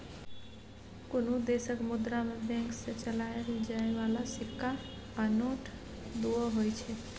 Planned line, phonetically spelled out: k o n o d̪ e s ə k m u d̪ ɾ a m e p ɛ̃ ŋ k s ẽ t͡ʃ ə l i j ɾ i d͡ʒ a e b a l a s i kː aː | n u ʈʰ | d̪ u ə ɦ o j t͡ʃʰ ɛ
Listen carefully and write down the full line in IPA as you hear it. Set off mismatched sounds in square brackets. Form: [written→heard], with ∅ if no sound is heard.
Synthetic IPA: k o n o d̪ e s ə k m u d̪ ɾ a m e [p→b] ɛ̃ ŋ k s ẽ t͡ʃ ə l [i→a] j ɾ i d͡ʒ a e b a l a s i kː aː | n [u→o] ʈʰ | d̪ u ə ɦ o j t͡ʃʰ ɛ